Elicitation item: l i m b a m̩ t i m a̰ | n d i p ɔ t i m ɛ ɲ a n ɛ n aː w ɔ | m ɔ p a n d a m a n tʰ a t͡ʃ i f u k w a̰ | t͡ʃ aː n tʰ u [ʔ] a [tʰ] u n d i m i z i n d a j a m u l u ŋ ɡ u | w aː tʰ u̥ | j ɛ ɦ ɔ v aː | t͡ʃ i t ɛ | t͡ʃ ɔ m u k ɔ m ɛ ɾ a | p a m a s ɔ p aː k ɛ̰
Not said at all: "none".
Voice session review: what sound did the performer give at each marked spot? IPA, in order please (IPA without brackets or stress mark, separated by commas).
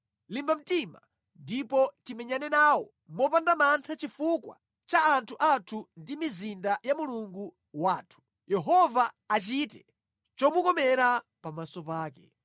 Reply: ʔ, tʰ